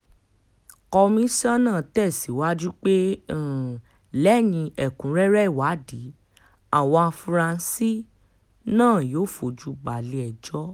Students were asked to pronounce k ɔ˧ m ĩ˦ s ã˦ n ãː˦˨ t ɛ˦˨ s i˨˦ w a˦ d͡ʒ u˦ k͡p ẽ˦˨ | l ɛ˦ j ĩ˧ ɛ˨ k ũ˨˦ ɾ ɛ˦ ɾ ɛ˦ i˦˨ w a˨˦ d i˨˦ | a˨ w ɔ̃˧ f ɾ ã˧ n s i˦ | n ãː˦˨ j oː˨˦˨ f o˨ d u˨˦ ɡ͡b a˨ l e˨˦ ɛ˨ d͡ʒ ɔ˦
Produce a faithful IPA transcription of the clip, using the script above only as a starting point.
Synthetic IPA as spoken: k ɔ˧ m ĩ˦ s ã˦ n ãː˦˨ t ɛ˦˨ s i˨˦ w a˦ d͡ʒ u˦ k͡p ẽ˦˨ | l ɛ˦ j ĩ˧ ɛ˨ k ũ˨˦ ɾ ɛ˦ ɾ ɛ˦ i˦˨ w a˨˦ d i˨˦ | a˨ w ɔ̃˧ f ɾ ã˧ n s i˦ | n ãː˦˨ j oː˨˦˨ f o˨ d͡ʒ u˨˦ ɡ͡b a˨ l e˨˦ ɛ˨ d͡ʒ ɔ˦

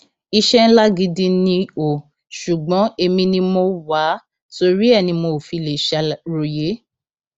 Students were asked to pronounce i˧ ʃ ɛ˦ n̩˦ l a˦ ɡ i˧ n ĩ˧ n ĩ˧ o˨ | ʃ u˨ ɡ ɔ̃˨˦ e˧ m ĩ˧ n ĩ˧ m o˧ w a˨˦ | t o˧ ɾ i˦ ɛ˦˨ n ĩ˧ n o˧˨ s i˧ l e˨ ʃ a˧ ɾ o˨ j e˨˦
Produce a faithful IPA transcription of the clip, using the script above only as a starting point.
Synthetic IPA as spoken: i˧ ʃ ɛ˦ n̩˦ l a˦ ɡ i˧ d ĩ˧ n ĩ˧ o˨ | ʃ u˨ ɡ͡b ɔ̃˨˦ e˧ m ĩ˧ n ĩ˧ m o˧ w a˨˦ | t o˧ ɾ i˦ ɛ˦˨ n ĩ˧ m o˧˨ f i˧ l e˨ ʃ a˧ ɾ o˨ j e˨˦

